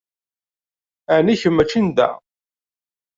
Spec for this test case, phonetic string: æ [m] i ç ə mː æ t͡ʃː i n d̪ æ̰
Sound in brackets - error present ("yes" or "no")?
yes